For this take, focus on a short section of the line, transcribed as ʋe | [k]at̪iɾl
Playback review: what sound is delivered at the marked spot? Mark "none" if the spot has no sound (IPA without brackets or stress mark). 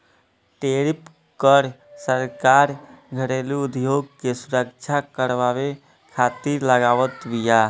kʰ